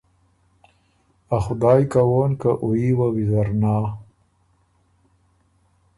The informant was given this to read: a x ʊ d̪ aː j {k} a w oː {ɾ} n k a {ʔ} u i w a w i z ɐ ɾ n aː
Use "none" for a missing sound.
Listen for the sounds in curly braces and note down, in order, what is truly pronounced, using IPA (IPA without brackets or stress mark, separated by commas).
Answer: k, none, ʔ